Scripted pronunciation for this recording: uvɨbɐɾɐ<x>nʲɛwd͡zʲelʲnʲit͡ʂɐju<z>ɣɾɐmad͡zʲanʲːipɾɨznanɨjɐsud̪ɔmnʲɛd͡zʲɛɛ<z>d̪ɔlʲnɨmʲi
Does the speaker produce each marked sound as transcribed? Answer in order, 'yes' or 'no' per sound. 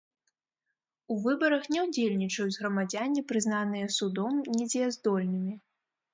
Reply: yes, yes, yes

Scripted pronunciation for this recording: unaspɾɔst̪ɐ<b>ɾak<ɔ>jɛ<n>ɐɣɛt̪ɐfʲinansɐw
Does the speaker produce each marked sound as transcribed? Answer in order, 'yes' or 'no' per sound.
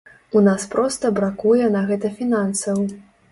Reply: yes, no, yes

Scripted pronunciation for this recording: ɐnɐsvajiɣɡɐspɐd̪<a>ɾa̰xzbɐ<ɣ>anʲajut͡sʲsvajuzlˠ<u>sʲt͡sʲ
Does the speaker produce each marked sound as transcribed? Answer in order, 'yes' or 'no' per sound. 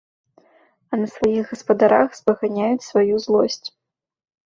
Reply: yes, yes, no

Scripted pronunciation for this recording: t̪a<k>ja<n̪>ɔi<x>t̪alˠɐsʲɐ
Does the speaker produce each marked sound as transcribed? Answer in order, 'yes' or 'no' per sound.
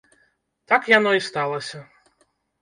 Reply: yes, yes, no

